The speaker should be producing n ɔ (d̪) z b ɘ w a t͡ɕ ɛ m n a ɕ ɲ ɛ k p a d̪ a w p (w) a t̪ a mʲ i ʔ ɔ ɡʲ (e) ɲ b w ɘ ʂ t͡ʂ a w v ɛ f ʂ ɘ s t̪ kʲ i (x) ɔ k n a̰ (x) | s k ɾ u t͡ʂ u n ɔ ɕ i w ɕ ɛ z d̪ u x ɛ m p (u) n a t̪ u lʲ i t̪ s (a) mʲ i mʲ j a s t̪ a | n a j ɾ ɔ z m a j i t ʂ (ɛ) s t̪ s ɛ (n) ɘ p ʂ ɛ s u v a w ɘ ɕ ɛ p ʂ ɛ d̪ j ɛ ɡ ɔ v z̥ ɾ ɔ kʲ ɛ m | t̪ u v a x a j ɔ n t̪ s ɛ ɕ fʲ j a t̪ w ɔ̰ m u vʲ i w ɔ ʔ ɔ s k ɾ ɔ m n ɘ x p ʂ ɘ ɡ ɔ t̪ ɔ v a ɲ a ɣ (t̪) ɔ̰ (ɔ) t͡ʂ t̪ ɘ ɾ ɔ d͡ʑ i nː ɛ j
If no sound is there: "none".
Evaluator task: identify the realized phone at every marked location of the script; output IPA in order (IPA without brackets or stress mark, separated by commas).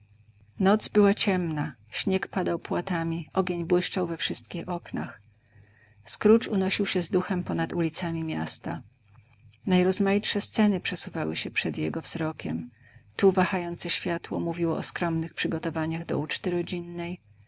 t̪, w, e, x, x, ɔ, a, ɛ, n, d̪, u